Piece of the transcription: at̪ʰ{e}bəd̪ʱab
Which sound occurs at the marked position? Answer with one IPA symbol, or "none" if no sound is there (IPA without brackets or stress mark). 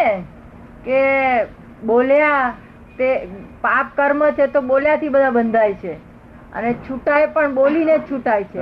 i